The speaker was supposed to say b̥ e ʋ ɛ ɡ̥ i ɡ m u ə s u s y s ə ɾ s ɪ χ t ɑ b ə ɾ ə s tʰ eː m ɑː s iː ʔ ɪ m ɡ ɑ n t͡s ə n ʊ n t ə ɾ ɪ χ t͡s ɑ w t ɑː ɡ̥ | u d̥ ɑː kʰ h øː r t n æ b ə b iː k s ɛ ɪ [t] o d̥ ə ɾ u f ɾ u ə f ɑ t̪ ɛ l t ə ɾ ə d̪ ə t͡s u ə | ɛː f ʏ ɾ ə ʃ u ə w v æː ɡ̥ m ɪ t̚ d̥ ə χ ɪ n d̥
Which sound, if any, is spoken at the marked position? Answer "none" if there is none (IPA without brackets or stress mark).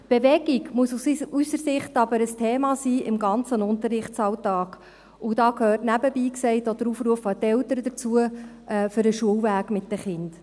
t